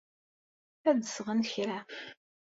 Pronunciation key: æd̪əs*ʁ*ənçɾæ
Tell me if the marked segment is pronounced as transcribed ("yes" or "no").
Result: yes